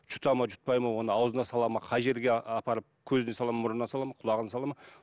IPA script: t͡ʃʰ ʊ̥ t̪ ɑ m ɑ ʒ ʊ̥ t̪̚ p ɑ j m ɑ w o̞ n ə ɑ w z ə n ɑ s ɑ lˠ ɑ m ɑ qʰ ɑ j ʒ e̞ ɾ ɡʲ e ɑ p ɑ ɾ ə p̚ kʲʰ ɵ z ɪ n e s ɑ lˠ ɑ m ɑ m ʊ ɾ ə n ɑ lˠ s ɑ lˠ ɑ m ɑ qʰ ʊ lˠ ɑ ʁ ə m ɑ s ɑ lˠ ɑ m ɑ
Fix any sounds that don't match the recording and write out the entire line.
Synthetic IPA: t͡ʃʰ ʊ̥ t̪ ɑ m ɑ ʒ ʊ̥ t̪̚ p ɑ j m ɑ w o̞ n ə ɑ w z ə n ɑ s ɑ lˠ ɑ m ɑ qʰ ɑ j ʒ e̞ ɾ ɡʲ e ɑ p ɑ ɾ ə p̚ kʲʰ ɵ z ɪ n e s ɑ lˠ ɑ m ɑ m ʊ ɾ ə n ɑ s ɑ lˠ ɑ m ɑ qʰ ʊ lˠ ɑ ʁ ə n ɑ s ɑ lˠ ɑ m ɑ